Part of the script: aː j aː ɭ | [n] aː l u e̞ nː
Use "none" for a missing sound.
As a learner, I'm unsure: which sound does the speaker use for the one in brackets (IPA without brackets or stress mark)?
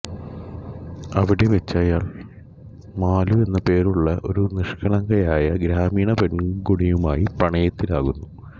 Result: m